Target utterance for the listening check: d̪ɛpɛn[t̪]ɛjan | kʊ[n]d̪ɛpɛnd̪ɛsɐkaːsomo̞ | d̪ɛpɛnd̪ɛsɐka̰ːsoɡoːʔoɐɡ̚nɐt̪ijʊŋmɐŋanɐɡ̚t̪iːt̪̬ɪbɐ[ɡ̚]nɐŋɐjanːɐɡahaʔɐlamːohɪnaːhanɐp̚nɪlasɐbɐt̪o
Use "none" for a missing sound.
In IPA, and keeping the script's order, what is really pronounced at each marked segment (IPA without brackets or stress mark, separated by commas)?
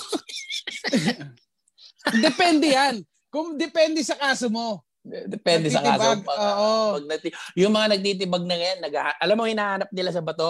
d̪, ŋ, ɡ̚